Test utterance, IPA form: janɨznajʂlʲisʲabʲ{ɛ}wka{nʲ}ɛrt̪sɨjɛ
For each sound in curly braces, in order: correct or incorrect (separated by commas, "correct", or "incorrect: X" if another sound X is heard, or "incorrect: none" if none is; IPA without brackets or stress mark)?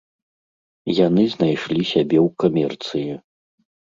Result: correct, incorrect: mʲ